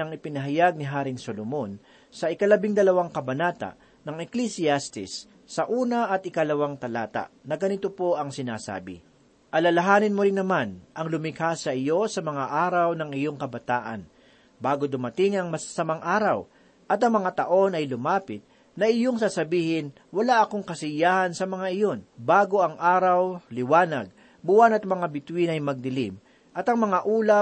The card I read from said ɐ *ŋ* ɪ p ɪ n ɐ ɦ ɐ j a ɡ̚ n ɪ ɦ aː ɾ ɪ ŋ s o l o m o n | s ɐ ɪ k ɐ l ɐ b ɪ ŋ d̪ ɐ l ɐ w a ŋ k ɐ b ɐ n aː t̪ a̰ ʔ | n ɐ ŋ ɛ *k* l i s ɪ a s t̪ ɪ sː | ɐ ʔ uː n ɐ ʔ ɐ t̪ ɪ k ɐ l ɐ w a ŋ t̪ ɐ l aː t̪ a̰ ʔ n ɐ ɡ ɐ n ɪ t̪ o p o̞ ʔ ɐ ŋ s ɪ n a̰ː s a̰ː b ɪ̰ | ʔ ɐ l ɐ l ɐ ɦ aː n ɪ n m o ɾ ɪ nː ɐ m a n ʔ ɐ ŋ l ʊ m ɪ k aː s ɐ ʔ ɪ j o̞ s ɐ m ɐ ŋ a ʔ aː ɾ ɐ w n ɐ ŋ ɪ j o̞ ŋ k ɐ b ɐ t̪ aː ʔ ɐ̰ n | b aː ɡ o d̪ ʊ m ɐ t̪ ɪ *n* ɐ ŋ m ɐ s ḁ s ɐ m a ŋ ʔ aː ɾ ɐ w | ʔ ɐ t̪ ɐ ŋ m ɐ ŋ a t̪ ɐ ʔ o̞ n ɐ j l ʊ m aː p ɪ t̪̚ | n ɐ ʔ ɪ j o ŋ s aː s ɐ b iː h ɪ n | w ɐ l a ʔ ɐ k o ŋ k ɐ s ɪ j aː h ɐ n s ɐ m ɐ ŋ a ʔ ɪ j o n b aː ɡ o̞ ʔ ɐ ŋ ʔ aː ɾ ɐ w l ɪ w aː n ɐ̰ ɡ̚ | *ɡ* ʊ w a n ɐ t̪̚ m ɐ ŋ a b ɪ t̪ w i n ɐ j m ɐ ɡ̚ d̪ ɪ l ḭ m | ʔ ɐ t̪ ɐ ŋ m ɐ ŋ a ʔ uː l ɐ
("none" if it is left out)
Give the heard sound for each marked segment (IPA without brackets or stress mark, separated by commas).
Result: ŋ, k, ŋ, b